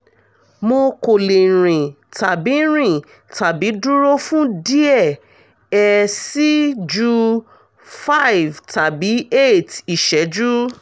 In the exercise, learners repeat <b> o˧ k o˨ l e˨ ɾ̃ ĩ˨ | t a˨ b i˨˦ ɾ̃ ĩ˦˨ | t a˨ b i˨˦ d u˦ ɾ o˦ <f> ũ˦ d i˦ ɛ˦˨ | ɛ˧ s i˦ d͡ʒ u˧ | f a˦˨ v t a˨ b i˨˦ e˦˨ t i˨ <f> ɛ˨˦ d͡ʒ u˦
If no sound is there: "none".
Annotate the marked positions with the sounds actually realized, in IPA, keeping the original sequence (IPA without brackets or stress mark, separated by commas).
m, f, ʃ